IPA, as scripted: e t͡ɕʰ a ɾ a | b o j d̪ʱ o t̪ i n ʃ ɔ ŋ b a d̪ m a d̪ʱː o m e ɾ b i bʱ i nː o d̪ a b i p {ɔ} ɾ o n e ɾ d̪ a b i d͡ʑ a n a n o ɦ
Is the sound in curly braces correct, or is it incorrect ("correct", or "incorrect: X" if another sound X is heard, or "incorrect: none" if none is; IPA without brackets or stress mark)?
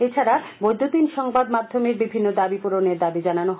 incorrect: u